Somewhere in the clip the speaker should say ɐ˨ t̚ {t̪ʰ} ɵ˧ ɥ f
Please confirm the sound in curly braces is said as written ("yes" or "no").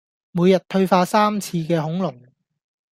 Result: yes